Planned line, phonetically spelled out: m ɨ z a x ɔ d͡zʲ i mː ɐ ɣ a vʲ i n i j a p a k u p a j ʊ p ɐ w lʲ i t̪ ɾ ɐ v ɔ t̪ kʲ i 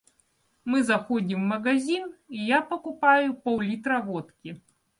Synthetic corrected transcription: m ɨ z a x ɔ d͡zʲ i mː ɐ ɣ a zʲ i n i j a p ɐ k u p a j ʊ p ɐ w lʲ i t̪ ɾ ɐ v ɔ t̪ kʲ i